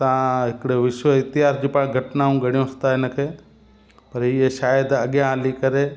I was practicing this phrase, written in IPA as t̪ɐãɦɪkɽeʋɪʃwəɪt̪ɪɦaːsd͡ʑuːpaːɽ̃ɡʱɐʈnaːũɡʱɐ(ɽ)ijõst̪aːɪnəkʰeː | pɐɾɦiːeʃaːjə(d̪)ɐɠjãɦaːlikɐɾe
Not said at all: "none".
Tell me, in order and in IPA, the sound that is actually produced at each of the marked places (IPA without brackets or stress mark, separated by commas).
ɽ, d̪